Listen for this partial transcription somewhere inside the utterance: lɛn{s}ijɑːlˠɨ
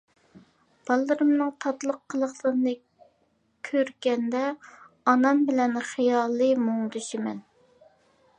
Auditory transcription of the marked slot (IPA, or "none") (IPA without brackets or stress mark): χ